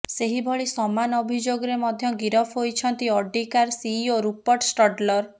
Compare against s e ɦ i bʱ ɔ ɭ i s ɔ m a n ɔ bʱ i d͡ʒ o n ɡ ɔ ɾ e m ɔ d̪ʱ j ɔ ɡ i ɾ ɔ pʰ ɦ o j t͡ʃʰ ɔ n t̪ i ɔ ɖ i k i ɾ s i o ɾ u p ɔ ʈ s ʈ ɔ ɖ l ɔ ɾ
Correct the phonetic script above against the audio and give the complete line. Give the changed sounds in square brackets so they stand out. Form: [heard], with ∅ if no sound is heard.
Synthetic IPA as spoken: s e ɦ i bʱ ɔ ɭ i s ɔ m a n ɔ bʱ i d͡ʒ o [∅] ɡ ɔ ɾ e m ɔ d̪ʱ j ɔ ɡ i ɾ ɔ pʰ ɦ o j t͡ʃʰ ɔ n t̪ i ɔ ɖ i k [a] ɾ s i o ɾ u p ɔ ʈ s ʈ ɔ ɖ l ɔ ɾ